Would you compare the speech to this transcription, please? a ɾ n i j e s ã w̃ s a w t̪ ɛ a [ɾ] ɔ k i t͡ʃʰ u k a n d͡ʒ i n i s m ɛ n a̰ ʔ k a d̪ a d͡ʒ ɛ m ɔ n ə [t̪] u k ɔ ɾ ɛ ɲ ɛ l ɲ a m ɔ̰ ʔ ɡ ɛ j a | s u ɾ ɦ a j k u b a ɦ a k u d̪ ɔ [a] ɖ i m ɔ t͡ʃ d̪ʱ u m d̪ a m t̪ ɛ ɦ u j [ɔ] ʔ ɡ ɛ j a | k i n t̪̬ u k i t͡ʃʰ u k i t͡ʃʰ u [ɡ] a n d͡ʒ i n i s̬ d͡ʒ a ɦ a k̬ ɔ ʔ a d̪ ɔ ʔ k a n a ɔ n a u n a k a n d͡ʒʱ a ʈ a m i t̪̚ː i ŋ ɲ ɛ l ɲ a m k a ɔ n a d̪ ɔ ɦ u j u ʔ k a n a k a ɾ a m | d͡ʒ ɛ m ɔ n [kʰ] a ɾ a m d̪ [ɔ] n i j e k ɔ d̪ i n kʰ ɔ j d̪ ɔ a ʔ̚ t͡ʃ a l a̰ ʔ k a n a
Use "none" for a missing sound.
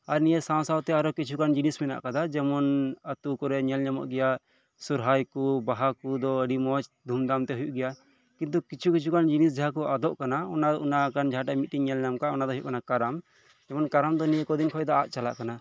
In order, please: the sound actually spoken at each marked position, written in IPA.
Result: ɾ, t̪, ə, u, k, k, ɔ

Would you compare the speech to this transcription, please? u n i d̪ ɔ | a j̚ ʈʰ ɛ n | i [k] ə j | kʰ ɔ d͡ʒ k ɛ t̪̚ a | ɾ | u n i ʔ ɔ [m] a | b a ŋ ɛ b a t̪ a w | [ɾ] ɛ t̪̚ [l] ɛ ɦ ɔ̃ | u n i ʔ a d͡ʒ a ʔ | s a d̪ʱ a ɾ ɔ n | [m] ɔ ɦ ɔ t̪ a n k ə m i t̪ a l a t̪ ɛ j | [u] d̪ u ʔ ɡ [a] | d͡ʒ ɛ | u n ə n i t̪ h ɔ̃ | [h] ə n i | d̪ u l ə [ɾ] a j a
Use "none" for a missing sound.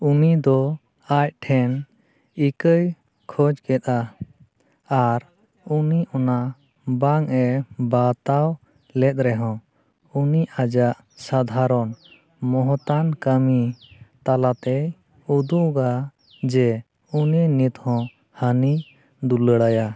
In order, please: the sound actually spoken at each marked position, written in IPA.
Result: k, n, l, ɾ, m, u, a, h, ɽ

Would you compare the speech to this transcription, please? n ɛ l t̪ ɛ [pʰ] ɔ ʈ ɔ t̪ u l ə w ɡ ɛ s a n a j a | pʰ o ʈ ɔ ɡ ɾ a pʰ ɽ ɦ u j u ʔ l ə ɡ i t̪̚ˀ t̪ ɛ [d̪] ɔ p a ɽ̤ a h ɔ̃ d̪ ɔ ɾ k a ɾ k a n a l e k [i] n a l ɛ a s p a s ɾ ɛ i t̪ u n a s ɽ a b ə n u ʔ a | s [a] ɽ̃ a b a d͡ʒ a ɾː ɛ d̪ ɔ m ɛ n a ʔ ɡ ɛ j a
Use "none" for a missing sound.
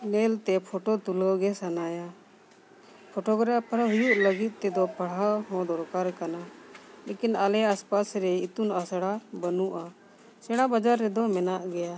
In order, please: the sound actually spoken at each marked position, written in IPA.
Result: pʰ, d̪, i, ɛ

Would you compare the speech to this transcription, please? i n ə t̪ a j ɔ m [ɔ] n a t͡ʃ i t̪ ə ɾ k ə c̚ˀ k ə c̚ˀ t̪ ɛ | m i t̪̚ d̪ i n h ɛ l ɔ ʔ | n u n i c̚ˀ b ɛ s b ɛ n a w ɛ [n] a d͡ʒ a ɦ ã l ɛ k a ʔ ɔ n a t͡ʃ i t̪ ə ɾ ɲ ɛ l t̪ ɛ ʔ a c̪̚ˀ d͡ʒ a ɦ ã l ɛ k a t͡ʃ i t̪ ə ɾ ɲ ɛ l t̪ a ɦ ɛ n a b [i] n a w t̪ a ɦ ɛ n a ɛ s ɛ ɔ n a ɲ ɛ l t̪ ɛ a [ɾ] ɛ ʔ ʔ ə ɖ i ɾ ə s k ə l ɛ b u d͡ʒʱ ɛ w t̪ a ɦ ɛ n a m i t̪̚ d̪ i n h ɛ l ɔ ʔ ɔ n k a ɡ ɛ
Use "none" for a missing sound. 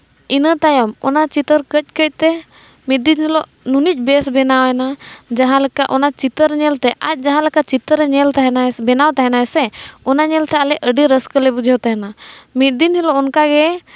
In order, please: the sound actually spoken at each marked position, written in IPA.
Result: ɔ, n, ɛ, l

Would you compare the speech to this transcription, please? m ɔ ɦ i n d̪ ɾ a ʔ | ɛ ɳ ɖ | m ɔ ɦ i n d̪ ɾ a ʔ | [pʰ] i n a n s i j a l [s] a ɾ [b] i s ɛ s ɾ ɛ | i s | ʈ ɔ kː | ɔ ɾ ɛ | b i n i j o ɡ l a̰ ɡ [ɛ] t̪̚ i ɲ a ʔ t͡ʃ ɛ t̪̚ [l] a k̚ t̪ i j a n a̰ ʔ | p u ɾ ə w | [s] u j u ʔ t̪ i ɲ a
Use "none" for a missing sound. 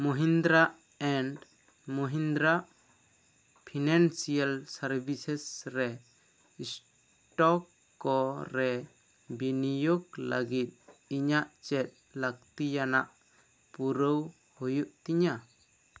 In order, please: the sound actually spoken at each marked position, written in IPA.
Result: pʰ, s, b, i, l, h

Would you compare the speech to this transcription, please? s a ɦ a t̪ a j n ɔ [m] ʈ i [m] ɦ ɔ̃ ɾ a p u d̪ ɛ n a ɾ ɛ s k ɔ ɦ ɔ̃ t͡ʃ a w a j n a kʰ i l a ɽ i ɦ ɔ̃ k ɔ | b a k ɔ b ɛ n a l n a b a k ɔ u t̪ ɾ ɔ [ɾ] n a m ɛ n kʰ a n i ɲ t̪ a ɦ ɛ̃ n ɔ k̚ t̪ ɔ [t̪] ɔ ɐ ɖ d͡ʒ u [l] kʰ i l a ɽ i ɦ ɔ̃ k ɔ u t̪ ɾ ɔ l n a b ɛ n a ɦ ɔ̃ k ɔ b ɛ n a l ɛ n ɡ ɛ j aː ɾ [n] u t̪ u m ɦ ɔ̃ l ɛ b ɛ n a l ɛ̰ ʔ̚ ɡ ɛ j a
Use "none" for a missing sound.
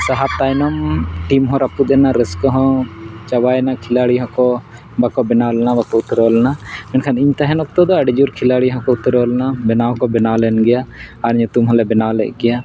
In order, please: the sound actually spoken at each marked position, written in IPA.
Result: m, m, l, d̪, ɾ, ɲ

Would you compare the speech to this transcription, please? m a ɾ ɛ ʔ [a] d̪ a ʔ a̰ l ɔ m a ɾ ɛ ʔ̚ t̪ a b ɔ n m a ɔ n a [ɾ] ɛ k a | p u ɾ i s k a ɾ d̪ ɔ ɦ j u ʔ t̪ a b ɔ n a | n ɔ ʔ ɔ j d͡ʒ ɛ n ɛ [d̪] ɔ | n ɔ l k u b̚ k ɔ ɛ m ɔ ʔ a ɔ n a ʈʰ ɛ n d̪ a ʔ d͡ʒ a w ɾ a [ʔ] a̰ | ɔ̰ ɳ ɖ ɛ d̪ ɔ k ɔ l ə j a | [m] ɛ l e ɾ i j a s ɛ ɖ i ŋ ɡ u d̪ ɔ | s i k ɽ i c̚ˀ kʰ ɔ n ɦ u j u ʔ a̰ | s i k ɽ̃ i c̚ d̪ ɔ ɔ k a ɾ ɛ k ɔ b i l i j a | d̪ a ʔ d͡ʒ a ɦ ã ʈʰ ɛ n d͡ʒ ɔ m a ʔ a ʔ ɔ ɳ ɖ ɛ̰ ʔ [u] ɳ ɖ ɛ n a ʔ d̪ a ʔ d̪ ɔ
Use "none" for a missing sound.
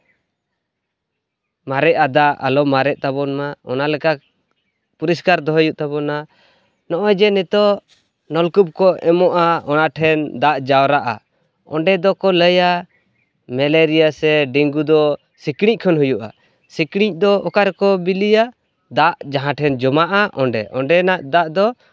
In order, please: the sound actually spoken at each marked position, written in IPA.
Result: a, l, t̪, ʔ, m, ɔ

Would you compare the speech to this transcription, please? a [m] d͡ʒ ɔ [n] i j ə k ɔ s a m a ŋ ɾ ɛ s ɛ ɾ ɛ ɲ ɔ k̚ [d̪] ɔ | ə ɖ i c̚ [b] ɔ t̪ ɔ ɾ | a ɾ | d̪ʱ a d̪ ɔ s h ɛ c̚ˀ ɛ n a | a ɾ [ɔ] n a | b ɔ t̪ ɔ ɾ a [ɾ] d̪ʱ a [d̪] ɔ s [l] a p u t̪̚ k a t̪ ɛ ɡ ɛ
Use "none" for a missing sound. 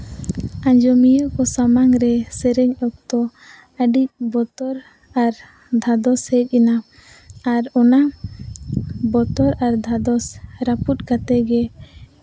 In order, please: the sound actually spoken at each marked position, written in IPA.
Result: ɲ, m, t̪, b, ɔ, ɾ, d̪, ɾ

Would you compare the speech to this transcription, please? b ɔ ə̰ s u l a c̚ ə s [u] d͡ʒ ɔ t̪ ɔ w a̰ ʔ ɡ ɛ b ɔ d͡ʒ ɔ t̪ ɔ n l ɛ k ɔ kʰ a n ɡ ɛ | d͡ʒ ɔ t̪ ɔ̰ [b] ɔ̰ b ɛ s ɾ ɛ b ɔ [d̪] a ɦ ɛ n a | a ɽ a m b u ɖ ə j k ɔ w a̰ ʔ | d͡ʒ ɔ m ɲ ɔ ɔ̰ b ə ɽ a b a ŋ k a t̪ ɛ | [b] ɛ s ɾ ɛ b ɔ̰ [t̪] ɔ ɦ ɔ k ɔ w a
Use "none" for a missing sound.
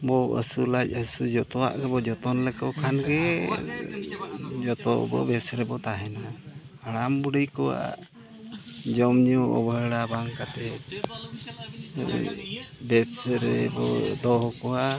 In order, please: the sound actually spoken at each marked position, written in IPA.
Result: u, b, t̪, b, d̪

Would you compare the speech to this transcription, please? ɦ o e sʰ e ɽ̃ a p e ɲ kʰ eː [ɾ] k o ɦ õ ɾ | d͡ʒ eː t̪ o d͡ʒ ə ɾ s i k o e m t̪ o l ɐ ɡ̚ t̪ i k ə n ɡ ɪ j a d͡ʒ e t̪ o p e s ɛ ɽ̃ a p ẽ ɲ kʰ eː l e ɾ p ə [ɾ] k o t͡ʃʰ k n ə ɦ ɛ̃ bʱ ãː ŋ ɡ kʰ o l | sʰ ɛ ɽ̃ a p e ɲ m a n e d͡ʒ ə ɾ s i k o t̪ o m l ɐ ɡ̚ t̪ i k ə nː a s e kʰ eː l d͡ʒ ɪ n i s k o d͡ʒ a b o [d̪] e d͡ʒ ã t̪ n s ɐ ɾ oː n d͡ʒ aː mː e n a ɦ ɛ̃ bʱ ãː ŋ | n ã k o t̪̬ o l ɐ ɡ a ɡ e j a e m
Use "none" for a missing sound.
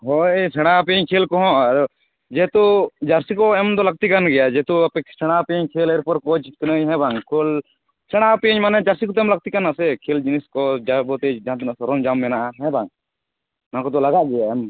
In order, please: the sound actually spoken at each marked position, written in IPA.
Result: l, ɾ, t̪

